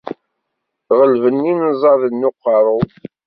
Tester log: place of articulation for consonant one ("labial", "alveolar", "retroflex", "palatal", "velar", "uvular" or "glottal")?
uvular